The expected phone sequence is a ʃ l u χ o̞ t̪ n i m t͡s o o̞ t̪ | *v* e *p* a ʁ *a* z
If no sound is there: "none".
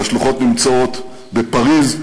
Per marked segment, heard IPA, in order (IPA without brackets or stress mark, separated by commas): b, p, i